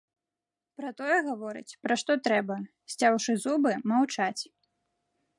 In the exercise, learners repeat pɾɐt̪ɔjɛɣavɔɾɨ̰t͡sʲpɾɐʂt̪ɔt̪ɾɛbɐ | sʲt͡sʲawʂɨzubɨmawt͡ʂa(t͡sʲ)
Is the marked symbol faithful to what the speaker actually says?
yes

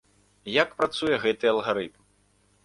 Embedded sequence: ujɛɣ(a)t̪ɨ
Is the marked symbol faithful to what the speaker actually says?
no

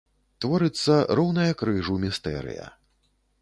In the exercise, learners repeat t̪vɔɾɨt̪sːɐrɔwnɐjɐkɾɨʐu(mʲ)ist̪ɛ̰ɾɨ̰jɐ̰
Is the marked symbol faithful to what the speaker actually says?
yes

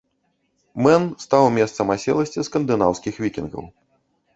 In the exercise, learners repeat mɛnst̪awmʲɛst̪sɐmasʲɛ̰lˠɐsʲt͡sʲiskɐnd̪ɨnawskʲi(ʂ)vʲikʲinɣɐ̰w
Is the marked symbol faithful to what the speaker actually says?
no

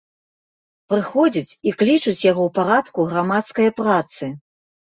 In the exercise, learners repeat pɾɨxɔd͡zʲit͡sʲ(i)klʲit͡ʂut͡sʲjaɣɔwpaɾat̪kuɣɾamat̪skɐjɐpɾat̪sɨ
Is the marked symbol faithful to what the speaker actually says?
yes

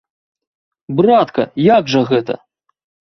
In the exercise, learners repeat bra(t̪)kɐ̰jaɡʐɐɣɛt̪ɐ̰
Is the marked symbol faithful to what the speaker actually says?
yes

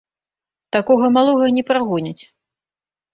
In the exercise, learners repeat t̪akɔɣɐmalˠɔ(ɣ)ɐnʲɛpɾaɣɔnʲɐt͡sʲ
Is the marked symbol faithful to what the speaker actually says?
yes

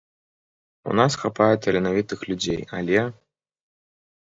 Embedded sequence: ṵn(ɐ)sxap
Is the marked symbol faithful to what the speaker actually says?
no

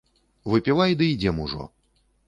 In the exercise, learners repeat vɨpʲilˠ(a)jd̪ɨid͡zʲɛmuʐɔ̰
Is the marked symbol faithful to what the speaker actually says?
yes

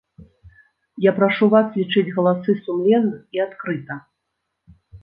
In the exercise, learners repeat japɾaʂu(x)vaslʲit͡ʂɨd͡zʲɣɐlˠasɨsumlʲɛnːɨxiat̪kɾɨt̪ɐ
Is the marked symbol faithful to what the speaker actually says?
no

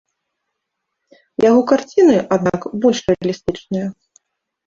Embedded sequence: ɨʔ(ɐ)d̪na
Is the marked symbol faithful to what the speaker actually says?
no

